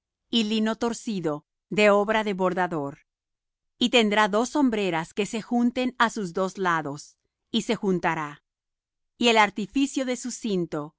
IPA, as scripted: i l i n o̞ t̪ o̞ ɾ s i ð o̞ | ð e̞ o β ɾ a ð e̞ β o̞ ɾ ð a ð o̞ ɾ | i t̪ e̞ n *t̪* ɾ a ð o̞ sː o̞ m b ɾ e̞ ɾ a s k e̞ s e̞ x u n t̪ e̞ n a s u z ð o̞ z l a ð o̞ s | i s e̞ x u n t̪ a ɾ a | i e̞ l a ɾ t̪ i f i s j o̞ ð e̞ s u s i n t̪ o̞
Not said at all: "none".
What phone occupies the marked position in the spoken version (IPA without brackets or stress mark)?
d̪